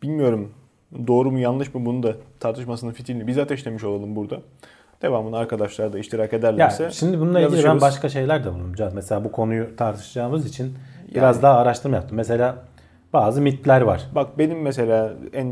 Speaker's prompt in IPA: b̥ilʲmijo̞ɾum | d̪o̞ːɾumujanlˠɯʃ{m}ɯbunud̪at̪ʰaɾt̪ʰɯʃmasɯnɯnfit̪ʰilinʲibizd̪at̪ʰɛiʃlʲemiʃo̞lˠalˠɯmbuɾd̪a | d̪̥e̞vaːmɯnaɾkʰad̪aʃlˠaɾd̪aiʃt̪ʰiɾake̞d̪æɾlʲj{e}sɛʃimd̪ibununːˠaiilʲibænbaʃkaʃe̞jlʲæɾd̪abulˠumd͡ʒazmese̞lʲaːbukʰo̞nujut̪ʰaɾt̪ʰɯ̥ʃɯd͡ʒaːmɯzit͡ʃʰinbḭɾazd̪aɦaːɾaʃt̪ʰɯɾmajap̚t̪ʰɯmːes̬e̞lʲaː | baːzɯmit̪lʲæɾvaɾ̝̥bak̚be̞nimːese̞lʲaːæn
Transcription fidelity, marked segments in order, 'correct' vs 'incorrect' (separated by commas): correct, incorrect